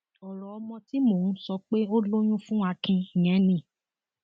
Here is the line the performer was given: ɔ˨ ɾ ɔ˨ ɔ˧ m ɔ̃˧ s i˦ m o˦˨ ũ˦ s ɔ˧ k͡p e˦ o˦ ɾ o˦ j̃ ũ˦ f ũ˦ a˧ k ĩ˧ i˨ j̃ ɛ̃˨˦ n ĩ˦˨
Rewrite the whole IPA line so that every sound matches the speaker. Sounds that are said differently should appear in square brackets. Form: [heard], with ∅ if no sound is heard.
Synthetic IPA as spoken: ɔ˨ ɾ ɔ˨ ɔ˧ m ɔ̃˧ [t] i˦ m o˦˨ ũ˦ s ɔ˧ k͡p e˦ o˦ [l] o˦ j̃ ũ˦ f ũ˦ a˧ k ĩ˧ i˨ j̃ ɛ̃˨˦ n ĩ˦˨